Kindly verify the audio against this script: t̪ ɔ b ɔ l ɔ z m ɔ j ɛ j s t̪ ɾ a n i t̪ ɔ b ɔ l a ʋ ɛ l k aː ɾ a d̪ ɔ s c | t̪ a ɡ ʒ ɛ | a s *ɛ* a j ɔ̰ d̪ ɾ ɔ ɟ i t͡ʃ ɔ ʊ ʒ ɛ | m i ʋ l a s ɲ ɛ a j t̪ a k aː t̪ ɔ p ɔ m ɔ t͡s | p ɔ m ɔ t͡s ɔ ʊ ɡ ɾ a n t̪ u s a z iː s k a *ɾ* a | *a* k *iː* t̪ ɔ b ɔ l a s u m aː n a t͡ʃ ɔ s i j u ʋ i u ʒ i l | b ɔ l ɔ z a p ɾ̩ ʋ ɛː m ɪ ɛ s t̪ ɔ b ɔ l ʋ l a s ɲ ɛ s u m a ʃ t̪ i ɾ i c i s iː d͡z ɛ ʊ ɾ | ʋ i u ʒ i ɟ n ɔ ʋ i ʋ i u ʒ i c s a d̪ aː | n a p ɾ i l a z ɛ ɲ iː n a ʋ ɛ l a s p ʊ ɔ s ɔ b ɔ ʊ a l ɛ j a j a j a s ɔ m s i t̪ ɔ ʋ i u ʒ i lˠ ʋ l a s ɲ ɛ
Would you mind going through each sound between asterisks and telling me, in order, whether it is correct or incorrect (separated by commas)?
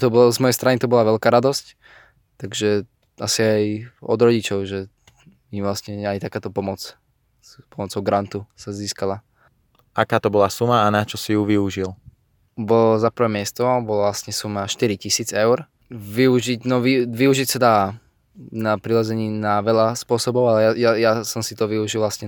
incorrect, incorrect, correct, incorrect